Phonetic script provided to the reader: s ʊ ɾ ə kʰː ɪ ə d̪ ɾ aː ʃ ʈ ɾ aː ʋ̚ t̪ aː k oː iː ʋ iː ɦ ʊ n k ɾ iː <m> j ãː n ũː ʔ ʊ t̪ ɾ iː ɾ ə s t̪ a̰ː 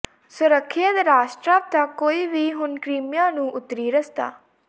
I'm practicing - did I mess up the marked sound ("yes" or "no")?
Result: no